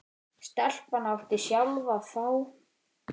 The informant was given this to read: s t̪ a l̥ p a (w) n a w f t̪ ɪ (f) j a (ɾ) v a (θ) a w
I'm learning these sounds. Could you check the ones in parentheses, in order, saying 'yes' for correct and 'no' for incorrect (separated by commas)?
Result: no, no, no, yes